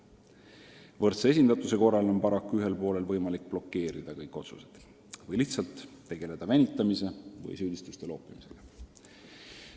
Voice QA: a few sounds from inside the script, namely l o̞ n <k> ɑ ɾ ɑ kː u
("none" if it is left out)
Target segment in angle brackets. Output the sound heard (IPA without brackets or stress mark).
p